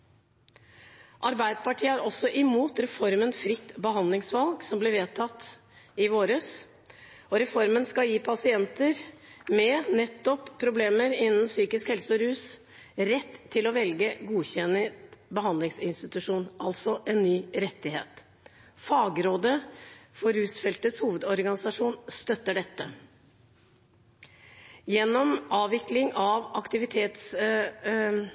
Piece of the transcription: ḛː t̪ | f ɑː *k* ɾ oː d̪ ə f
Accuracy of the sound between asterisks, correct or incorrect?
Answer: incorrect